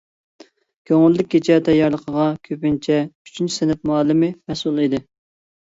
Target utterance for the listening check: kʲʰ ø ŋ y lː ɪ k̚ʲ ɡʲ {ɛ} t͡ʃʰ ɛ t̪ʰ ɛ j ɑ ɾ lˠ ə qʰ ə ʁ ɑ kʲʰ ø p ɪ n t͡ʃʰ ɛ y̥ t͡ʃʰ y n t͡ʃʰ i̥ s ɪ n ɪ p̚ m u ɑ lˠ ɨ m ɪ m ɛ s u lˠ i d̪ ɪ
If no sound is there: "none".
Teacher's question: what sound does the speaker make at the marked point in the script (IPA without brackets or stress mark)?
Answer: e